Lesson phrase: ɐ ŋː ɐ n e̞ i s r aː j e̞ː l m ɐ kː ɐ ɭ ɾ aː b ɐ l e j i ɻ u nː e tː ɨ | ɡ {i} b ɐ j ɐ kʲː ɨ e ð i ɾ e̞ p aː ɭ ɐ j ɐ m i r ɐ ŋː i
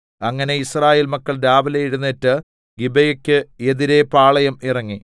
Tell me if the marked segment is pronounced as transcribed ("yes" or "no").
yes